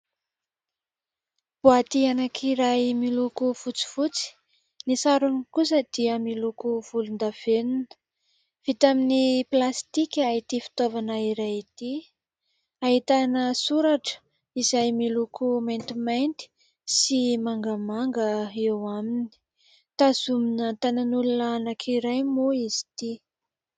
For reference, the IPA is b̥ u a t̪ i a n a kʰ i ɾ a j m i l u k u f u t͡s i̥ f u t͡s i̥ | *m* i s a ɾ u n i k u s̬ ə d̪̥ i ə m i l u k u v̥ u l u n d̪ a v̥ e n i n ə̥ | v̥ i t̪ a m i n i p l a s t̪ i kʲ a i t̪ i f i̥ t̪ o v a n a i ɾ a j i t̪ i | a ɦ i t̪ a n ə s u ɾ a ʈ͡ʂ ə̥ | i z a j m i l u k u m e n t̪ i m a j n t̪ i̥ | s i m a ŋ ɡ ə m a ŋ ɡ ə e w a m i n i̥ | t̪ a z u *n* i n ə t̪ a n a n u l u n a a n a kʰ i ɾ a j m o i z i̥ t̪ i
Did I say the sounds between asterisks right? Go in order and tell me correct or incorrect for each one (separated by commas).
incorrect, incorrect